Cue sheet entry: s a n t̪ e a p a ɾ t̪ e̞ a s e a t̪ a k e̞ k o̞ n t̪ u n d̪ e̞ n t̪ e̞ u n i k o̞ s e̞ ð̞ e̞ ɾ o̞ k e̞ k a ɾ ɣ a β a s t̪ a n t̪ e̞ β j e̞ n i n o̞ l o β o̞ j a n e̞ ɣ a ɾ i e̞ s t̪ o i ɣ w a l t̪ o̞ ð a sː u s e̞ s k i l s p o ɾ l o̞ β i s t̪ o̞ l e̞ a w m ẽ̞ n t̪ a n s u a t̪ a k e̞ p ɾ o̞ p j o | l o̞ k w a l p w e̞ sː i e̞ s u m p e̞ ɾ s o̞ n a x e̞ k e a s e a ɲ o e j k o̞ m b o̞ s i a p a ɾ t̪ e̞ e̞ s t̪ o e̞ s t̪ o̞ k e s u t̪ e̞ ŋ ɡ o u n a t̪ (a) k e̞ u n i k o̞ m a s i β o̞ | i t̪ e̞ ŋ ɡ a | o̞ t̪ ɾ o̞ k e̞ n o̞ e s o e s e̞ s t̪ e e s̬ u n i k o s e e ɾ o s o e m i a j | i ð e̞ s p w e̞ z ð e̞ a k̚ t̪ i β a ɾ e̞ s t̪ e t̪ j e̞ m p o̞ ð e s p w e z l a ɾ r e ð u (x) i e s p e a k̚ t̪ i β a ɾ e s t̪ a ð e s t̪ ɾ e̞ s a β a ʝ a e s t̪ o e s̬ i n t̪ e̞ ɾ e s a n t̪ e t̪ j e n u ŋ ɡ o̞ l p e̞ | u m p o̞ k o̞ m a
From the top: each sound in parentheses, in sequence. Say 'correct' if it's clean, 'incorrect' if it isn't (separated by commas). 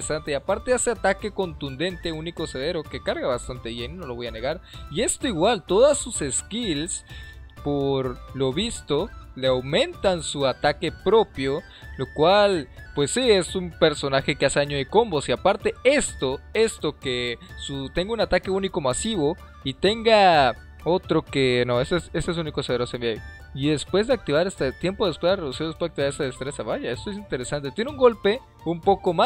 correct, incorrect